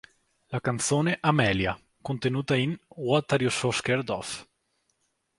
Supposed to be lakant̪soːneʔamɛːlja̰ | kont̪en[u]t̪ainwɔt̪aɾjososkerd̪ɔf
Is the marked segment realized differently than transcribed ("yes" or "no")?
yes